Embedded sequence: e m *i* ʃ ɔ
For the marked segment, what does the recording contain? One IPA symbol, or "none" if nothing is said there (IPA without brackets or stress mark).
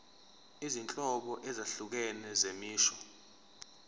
iː